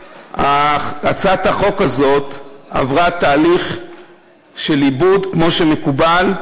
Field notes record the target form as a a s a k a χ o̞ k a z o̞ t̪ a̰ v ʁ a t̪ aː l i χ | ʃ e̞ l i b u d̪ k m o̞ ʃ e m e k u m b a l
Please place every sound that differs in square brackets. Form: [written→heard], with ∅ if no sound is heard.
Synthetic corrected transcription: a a [s→t͡s] a [k→t] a χ o̞ k a z o̞ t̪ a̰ v ʁ a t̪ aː l i χ | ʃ e̞ l i b u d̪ k m o̞ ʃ e m e k u [m→∅] b a l